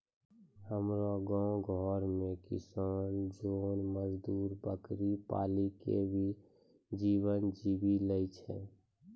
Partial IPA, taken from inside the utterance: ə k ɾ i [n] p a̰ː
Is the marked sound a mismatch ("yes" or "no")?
yes